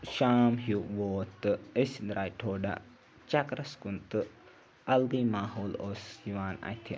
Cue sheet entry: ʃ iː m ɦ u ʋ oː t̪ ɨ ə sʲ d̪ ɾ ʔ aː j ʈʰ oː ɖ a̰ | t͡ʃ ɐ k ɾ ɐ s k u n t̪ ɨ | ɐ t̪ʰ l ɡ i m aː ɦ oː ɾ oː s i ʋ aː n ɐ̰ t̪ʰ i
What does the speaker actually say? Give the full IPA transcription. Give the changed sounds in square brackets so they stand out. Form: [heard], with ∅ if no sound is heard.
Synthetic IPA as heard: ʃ [aː] m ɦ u ʋ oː t̪ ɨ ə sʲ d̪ ɾ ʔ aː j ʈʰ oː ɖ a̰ | t͡ʃ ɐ k ɾ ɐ s k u n t̪ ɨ | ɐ [∅] l ɡ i m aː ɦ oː [l] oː s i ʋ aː n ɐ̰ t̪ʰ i